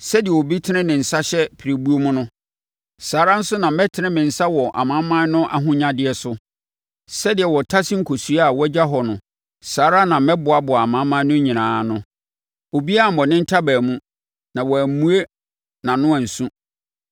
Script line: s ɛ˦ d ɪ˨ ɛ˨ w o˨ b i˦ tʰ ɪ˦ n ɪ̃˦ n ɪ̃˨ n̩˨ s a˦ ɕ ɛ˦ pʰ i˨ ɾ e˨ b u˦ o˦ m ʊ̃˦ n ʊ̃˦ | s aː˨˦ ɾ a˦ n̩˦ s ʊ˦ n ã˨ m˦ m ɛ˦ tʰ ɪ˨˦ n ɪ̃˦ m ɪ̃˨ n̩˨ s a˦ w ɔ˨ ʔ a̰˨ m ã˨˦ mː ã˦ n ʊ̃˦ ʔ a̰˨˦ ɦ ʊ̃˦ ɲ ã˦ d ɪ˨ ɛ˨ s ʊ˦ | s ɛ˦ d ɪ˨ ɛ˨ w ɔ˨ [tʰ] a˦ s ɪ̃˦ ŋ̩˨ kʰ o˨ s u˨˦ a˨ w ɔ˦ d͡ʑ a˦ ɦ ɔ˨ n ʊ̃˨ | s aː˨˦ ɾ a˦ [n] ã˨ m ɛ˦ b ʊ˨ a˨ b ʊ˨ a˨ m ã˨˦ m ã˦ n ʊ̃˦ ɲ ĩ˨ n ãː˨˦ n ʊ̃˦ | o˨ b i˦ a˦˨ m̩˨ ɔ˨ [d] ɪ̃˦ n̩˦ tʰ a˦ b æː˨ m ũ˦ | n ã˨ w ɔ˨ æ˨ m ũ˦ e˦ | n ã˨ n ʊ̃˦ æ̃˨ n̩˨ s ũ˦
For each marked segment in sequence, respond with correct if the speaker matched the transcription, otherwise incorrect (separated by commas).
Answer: correct, correct, incorrect